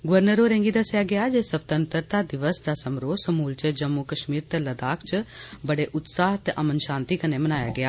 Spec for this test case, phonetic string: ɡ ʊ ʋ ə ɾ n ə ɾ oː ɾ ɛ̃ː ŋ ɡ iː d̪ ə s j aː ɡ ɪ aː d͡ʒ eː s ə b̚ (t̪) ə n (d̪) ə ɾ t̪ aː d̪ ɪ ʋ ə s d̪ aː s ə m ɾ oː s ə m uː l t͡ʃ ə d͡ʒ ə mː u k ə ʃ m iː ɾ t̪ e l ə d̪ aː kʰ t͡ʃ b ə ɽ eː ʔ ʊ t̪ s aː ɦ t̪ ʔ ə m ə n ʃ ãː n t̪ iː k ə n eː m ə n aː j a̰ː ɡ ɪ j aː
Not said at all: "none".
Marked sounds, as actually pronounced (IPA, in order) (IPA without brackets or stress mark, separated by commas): t̪, t̪